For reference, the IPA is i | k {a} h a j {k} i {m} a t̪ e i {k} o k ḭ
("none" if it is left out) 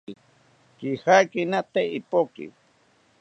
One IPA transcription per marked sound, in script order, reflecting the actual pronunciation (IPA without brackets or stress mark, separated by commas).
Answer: i, k, n, p